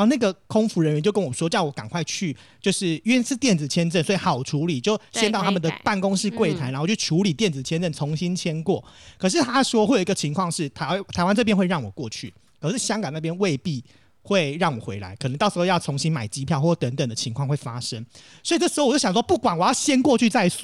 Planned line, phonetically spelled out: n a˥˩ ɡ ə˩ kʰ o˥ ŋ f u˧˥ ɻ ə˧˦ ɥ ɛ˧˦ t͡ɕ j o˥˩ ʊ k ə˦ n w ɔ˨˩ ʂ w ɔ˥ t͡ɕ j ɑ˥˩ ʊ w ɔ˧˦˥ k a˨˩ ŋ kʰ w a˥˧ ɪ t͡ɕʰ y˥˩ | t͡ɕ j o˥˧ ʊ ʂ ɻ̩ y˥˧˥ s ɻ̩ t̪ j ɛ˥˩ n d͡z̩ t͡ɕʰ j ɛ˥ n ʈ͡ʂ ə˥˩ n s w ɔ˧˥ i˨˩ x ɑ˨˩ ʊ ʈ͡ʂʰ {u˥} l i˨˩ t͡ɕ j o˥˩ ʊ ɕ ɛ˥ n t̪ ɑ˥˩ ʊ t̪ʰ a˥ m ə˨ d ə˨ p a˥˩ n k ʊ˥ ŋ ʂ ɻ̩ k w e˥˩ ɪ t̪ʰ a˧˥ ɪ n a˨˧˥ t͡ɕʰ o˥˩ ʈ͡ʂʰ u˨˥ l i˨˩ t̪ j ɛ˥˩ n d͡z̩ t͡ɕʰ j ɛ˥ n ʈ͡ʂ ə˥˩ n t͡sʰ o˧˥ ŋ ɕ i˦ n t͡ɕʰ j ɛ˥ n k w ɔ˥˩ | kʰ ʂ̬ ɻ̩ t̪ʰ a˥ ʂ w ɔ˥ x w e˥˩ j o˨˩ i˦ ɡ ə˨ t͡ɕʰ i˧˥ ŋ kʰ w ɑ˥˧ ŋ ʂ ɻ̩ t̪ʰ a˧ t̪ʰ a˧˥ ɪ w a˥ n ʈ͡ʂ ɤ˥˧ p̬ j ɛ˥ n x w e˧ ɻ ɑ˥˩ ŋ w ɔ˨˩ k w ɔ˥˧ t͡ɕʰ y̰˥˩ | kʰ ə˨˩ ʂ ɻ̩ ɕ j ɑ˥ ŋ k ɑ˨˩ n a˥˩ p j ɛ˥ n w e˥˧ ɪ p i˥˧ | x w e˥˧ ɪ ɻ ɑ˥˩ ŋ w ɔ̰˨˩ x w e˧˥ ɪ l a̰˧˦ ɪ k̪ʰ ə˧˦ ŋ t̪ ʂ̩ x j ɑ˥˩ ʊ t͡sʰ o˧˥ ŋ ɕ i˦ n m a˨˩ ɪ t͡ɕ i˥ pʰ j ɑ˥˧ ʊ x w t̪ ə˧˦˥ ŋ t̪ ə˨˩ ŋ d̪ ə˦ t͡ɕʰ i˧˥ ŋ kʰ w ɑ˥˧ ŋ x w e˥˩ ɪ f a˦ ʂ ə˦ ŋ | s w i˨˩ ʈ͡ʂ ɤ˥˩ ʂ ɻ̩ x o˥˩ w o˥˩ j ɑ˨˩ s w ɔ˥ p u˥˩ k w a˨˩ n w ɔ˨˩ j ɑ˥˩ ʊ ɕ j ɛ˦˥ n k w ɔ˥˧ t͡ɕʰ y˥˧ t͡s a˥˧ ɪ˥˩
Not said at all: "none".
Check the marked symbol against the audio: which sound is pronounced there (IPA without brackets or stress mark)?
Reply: u˧˥